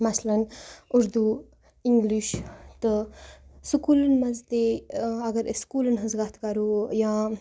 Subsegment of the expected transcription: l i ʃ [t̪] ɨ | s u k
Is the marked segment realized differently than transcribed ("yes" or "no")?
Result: no